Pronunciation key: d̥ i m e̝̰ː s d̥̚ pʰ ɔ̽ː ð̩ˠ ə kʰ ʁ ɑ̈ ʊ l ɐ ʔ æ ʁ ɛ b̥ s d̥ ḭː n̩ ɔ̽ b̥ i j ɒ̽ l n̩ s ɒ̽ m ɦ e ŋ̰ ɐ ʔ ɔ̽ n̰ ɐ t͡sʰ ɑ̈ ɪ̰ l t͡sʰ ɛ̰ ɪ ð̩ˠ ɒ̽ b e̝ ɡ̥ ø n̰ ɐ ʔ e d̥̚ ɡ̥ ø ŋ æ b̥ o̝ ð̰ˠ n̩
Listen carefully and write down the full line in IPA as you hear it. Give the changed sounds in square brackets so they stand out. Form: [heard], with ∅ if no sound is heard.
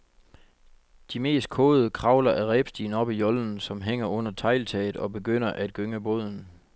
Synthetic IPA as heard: d̥ i m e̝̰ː s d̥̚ [kʰ] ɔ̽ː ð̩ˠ ə kʰ ʁ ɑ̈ ʊ l ɐ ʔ æ ʁ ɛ b̥ s d̥ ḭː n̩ [ɒ̽] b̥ i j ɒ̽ l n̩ s ɒ̽ m ɦ e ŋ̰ ɐ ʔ ɔ̽ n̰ ɐ t͡sʰ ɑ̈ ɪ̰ l t͡sʰ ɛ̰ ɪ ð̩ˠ ɒ̽ b e̝ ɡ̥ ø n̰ ɐ ʔ [æ] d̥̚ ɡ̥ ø ŋ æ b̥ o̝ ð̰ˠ n̩